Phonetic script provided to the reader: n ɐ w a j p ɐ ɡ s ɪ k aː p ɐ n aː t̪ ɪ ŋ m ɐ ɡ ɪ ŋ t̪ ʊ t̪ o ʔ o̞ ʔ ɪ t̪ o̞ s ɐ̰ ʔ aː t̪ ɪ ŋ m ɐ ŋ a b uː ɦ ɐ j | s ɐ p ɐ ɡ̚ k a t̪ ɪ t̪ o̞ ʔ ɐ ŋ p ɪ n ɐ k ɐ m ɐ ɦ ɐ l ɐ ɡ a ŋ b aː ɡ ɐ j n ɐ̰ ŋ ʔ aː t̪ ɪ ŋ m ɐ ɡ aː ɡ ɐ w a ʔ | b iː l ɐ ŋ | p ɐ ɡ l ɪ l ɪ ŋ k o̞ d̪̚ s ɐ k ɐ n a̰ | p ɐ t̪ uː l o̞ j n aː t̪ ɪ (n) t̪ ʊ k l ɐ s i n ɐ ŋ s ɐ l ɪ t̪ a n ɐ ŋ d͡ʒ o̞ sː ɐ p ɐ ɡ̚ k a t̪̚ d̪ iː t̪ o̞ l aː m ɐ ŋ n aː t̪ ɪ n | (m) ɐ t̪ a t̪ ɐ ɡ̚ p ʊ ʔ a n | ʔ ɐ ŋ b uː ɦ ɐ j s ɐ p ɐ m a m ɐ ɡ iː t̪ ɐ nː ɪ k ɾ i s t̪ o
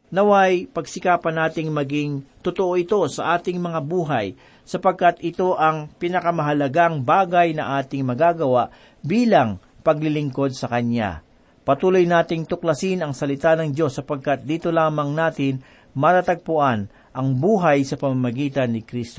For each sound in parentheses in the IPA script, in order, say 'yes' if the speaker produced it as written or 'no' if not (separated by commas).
no, yes